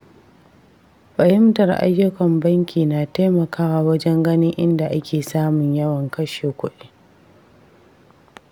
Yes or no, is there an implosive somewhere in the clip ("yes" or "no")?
yes